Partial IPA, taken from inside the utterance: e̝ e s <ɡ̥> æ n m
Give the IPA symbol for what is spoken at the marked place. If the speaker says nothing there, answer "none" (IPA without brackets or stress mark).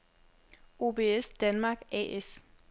d̥